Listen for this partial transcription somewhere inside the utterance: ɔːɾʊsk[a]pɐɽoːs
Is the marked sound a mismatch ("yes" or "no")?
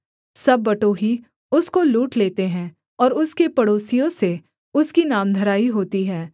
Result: yes